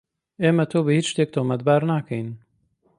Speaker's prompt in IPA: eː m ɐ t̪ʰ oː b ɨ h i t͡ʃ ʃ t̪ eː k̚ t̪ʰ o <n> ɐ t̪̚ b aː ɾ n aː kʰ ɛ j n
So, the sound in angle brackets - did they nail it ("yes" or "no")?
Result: no